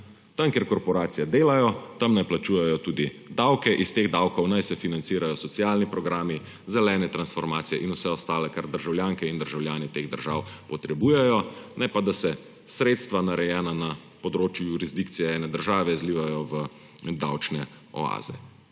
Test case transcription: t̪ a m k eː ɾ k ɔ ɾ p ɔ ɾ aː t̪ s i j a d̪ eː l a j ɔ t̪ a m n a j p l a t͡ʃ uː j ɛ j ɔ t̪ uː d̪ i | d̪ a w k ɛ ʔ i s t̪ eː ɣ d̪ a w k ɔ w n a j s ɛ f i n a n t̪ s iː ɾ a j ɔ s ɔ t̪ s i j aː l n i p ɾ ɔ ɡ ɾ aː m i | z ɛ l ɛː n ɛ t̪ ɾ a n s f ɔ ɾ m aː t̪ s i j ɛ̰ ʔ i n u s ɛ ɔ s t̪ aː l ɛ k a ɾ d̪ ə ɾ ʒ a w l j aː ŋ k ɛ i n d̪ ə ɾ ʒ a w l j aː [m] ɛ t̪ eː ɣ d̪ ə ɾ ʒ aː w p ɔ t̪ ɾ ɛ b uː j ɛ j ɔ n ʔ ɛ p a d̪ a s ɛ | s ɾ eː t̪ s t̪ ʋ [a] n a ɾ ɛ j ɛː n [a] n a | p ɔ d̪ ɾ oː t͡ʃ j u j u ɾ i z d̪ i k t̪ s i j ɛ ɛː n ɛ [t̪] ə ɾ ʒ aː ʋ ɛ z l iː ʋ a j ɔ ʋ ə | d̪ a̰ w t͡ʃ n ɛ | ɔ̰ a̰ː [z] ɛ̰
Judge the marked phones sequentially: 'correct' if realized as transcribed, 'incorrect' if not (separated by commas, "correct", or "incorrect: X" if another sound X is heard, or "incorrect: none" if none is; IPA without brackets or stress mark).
incorrect: n, correct, correct, incorrect: d̪, correct